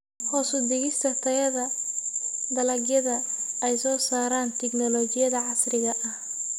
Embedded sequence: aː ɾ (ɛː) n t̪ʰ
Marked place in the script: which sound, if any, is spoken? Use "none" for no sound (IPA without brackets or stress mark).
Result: aː